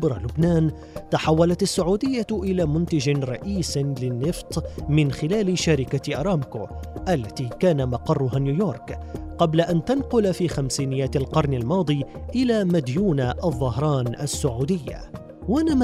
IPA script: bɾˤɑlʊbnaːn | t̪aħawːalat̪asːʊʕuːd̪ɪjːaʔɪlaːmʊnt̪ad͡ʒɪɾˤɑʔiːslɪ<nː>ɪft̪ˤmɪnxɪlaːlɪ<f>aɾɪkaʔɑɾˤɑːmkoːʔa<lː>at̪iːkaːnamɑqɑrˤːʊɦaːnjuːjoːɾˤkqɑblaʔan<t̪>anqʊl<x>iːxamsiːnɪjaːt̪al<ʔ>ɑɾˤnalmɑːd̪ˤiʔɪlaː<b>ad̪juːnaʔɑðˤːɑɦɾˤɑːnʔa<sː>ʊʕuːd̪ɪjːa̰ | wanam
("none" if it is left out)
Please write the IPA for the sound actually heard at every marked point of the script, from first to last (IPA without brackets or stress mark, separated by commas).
nː, ʃ, lː, t̪, f, q, m, sː